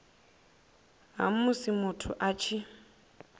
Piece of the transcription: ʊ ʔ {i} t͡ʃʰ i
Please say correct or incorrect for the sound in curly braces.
incorrect